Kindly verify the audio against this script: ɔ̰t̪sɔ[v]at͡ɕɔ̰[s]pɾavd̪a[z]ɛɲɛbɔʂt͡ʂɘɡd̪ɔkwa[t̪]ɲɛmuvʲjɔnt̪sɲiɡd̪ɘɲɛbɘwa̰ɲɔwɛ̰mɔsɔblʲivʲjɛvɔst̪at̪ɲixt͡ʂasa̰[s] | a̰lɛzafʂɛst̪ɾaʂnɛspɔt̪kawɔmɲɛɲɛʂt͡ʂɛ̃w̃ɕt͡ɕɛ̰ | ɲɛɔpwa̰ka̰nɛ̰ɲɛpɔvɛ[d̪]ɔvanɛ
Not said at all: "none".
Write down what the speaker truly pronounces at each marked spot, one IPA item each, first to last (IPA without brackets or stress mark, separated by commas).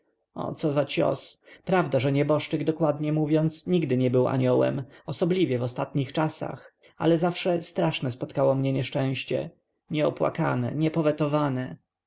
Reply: z, s, ʐ, d̪, x, t̪